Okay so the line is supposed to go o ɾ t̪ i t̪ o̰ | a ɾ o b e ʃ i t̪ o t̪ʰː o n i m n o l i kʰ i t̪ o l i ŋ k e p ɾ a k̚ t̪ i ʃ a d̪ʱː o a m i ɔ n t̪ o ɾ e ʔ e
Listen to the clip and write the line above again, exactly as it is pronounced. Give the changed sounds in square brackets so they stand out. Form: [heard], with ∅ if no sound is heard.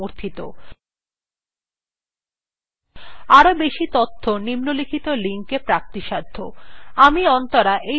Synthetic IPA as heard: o ɾ [t̪ʰ] i t̪ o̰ | a ɾ o b e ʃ i t̪ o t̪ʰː o n i m n o l i kʰ i t̪ o l i ŋ k e p ɾ a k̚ t̪ i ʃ a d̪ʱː o a m i ɔ n t̪ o ɾ [a] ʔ e

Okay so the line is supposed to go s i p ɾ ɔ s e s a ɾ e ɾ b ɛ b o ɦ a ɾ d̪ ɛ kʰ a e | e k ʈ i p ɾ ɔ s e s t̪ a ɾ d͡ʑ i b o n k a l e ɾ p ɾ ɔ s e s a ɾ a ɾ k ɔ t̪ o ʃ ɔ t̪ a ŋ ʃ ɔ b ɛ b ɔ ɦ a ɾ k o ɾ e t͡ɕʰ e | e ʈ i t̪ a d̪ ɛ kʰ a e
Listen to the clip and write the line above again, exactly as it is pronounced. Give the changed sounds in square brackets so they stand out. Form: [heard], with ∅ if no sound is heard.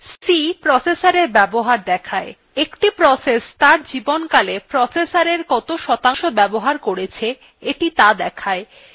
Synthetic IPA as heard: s i p ɾ ɔ s e s a ɾ e ɾ b ɛ b o ɦ a ɾ d̪ ɛ kʰ a e | e k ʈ i p ɾ ɔ s e s t̪ a ɾ d͡ʑ i b o n k a l e [∅] p ɾ ɔ s e s a ɾ [e] ɾ k ɔ t̪ o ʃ ɔ t̪ a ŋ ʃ [o] b ɛ b [o] ɦ a ɾ k o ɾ e t͡ɕʰ e | e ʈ i t̪ a d̪ ɛ kʰ a e

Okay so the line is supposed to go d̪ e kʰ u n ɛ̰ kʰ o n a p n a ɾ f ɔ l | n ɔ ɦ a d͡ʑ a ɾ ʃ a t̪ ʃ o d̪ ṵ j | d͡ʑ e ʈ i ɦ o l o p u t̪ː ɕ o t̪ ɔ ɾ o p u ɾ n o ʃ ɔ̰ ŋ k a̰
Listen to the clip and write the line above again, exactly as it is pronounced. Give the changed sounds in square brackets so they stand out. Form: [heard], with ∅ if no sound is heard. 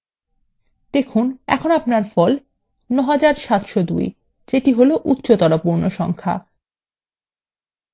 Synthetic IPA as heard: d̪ e kʰ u n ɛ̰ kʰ o n a p n a ɾ f ɔ l | n ɔ ɦ a d͡ʑ a ɾ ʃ a t̪ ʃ o d̪ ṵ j | d͡ʑ e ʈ i ɦ o l o [ʔ] u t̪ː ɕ o t̪ ɔ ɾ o p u ɾ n o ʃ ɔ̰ ŋ [kʰ] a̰

